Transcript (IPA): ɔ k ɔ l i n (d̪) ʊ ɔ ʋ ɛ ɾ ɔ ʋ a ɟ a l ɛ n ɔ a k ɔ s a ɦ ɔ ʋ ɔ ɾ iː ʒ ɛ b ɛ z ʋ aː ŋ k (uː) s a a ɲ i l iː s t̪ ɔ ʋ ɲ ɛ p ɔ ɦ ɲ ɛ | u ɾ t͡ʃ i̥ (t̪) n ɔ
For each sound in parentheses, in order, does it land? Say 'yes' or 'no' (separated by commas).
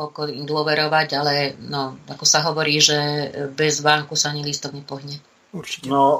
yes, no, no